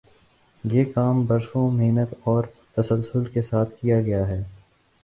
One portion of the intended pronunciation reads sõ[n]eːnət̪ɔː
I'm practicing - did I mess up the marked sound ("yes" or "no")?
yes